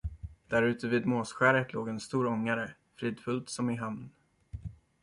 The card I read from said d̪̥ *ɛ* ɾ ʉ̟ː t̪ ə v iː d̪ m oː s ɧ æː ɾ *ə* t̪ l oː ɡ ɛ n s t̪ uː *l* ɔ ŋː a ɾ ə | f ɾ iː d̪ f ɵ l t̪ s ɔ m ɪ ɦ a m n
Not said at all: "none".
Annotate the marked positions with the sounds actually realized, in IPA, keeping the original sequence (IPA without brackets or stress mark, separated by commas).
æ, ə, ɾ